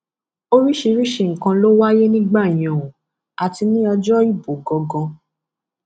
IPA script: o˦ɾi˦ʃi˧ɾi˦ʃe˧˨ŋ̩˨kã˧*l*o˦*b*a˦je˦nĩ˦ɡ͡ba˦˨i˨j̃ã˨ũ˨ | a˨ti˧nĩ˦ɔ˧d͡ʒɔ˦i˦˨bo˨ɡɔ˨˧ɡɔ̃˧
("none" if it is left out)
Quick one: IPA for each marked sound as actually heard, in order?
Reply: l, w

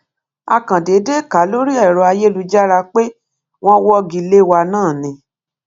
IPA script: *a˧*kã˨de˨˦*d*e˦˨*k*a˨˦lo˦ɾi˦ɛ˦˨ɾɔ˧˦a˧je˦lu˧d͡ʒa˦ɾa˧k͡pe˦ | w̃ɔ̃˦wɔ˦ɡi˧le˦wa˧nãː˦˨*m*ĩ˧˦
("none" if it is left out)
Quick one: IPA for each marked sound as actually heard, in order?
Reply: a˧, d, k, n

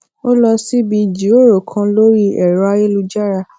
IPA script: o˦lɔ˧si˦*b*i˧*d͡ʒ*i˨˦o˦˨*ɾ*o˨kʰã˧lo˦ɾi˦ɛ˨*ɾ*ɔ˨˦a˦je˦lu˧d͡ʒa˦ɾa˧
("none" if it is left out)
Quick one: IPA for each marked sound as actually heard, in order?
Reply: b, d͡ʒ, ɾ, ɾ

